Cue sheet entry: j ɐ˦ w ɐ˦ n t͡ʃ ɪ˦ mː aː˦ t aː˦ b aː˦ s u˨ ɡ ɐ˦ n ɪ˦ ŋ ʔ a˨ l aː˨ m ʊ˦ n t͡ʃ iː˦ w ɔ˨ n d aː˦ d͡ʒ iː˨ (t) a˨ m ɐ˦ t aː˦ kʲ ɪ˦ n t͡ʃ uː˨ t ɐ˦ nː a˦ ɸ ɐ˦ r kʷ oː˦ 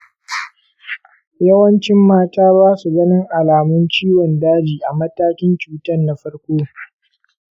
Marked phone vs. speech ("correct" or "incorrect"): incorrect